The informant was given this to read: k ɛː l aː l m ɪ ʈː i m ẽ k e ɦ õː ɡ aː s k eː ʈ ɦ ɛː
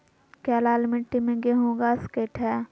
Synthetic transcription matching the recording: k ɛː l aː l m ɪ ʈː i m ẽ ɡ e ɦ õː ɡ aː s k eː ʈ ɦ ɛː